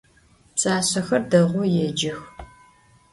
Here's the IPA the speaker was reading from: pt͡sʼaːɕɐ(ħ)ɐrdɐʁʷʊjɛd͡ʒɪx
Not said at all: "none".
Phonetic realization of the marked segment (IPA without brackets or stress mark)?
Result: x